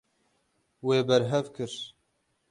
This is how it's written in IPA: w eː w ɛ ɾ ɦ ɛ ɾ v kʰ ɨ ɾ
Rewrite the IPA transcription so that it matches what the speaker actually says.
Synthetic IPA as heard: w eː b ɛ ɾ ɦ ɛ v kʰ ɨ ɾ